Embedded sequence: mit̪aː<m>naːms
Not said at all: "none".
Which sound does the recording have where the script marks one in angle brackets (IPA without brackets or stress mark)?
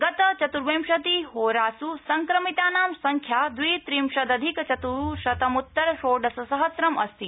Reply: none